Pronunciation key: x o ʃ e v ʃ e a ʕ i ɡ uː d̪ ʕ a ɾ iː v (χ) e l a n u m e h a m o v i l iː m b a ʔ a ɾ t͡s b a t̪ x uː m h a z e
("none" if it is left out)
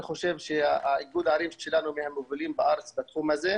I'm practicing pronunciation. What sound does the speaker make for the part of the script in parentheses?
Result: ʃ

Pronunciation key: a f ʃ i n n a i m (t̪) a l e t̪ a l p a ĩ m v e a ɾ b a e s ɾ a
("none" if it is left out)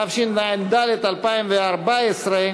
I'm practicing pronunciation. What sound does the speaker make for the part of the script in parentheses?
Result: d̪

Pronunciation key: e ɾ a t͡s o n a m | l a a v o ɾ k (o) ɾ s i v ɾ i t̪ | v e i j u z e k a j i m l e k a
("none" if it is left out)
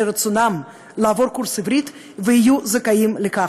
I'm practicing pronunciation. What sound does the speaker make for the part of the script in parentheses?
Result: u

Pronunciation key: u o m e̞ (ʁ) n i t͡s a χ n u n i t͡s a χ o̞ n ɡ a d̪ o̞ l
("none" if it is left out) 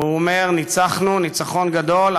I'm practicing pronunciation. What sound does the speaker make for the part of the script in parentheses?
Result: ʁ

